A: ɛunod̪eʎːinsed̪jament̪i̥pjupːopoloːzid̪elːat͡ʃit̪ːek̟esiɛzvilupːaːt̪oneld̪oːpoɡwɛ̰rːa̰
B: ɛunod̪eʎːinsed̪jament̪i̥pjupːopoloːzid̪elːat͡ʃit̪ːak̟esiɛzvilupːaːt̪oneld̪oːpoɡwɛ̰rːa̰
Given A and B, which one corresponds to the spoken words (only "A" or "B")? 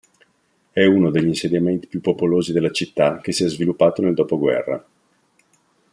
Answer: B